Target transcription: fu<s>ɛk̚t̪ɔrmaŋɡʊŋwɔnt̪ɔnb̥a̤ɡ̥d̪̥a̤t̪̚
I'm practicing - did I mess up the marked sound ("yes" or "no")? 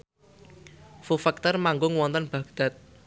yes